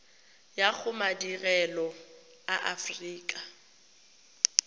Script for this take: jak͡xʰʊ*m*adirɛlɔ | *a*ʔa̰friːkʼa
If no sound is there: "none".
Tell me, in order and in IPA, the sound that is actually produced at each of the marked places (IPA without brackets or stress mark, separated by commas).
m, a